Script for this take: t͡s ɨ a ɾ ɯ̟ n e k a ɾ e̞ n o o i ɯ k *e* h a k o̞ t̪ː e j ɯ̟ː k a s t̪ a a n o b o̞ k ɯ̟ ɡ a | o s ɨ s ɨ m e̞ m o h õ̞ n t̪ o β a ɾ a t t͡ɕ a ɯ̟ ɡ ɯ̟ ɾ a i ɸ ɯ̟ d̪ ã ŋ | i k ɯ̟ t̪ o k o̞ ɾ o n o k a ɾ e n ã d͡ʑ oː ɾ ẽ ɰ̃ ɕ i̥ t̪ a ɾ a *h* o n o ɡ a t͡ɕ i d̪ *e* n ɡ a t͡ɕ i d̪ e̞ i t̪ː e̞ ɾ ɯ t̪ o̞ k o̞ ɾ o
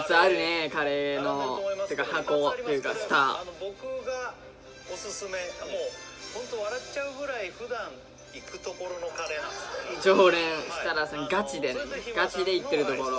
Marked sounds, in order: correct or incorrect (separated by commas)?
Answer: incorrect, incorrect, correct